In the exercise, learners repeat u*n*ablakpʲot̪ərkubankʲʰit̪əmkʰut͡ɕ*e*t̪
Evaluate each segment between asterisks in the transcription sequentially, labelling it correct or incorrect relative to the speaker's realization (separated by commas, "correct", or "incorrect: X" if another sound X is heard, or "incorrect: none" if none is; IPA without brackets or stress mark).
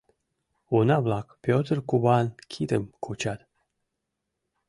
correct, incorrect: a